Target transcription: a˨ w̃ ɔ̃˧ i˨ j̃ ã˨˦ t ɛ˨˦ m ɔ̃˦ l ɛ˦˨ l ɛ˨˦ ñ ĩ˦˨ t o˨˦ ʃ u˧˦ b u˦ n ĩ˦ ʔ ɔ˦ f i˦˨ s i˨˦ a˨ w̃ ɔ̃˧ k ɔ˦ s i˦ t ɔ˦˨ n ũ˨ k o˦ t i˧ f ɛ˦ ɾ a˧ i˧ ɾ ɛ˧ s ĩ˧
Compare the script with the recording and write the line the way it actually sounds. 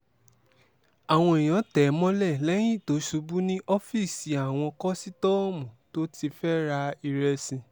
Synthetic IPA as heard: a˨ w̃ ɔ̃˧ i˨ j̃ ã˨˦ t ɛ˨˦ m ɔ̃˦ l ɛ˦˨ l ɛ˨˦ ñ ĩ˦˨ t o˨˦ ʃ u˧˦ b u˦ n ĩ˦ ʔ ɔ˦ f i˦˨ s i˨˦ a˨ w̃ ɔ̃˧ k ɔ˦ s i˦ t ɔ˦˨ m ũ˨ t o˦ t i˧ f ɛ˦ ɾ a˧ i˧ ɾ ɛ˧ s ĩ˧